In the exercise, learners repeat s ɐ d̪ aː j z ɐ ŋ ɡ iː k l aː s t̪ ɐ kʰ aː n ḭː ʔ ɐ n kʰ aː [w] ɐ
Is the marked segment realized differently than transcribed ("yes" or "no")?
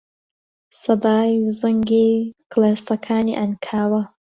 no